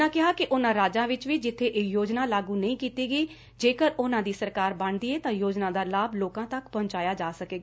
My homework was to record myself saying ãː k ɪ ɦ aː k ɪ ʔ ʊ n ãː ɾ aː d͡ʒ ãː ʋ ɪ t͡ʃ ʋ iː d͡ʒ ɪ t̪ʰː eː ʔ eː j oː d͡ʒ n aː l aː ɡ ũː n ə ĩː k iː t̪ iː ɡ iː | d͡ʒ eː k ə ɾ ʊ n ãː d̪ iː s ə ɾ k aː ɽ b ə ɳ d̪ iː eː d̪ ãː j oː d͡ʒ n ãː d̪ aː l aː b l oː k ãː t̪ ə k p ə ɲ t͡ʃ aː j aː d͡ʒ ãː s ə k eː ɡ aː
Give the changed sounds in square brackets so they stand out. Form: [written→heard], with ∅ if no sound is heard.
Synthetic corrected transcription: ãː k ɪ ɦ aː k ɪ ʔ ʊ n ãː ɾ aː d͡ʒ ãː ʋ ɪ t͡ʃ ʋ iː d͡ʒ ɪ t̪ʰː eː ʔ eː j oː d͡ʒ n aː l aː ɡ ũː n ə ĩː k iː t̪ iː ɡ iː | d͡ʒ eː k ə ɾ ʊ n ãː d̪ iː s ə ɾ k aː [ɽ→ɾ] b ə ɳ d̪ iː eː [d̪→t̪] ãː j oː d͡ʒ n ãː d̪ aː l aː b l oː k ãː t̪ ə k p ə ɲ t͡ʃ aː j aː d͡ʒ [ãː→aː] s ə k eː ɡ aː